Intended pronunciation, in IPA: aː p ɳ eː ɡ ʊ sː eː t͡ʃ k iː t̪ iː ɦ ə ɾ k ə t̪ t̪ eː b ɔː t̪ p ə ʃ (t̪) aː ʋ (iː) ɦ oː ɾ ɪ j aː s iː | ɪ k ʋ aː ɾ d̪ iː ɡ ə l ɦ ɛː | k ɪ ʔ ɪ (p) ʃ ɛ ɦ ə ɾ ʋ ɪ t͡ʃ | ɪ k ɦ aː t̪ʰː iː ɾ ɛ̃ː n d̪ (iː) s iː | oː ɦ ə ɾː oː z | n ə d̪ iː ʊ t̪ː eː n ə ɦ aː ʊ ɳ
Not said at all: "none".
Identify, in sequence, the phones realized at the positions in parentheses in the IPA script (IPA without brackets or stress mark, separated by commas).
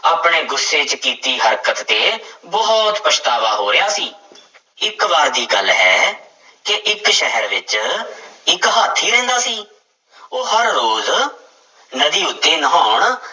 t̪, aː, k, aː